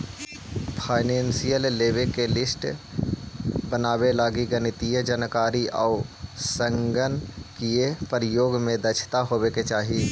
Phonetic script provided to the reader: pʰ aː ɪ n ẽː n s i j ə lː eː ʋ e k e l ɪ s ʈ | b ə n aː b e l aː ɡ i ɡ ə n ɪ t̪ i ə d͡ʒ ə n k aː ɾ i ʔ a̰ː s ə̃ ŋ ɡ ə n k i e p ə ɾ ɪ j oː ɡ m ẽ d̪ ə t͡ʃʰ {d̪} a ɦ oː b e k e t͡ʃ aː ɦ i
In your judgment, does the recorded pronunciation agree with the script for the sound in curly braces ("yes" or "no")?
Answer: no